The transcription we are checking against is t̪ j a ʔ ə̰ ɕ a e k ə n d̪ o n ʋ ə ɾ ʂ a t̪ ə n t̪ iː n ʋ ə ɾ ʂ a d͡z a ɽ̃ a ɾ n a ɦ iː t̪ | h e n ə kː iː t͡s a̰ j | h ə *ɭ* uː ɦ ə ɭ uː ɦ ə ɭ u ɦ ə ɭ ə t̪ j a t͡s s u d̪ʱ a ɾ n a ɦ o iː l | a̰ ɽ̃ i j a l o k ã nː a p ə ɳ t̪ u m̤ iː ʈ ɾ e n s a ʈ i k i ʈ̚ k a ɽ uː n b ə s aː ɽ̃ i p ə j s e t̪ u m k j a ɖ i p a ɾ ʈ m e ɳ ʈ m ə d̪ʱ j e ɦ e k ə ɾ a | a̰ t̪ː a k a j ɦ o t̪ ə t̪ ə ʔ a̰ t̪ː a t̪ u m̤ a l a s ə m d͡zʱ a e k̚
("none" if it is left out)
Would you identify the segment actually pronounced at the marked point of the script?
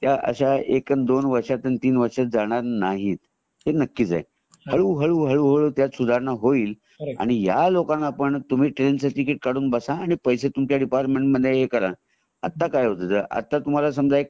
ɭ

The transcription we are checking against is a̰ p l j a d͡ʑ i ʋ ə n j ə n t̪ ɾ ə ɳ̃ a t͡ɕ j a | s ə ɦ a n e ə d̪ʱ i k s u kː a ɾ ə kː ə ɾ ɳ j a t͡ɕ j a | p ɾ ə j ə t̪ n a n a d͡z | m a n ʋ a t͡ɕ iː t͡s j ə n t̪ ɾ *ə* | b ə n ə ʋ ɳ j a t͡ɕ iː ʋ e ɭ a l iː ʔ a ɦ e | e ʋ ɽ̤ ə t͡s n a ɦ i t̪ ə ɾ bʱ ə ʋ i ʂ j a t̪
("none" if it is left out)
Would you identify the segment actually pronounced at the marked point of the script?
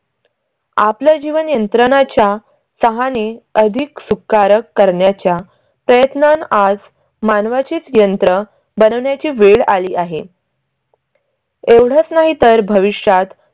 ə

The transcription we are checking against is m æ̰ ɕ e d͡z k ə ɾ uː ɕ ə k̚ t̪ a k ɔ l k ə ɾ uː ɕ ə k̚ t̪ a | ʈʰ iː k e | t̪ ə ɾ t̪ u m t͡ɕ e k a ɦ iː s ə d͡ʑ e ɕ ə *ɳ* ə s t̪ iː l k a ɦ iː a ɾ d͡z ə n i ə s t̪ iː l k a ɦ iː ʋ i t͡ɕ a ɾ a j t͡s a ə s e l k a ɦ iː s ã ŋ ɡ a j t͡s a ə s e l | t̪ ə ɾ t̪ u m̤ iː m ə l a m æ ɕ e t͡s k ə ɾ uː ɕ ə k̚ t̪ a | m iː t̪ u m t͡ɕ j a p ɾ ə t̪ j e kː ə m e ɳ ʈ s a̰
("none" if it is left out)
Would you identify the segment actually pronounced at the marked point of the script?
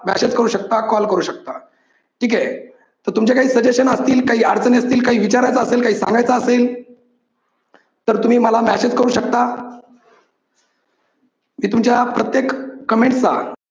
n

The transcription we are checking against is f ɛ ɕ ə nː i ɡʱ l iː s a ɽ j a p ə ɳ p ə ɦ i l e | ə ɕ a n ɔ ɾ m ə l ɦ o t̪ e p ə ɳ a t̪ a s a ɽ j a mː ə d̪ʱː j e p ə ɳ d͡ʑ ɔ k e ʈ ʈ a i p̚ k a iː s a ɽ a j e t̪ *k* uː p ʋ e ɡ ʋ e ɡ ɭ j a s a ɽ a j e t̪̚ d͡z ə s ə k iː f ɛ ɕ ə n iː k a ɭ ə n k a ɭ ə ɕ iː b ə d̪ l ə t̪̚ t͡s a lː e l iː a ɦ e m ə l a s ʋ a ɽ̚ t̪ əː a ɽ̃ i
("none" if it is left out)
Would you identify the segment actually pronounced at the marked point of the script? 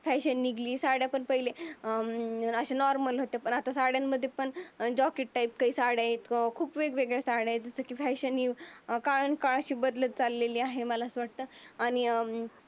kʰ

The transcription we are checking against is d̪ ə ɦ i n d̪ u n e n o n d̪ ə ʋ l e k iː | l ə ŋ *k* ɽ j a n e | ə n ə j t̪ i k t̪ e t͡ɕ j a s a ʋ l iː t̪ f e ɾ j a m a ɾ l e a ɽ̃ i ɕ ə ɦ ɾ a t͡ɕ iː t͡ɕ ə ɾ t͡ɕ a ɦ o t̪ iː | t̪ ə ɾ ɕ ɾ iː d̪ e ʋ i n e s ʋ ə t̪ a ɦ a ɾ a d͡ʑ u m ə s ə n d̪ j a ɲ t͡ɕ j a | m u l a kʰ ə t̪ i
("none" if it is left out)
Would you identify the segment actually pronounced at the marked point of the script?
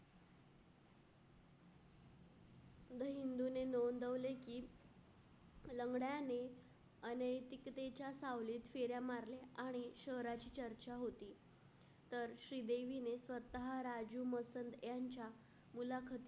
ɡ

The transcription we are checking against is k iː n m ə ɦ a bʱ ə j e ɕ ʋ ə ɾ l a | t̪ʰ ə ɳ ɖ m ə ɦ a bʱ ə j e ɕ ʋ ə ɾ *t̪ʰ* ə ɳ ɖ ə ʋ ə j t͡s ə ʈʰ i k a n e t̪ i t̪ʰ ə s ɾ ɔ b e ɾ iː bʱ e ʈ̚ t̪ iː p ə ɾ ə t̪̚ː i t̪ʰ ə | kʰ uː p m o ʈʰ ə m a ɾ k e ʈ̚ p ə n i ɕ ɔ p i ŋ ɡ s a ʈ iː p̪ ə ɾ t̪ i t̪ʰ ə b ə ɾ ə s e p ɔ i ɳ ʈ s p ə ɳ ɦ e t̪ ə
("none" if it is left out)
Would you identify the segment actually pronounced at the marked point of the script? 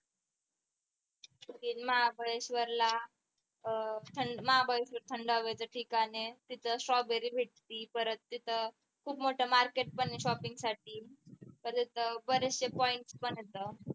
t̪ʰ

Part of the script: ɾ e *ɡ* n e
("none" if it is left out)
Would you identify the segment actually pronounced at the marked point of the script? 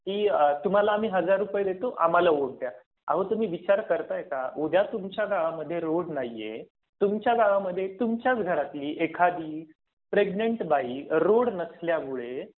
ɡ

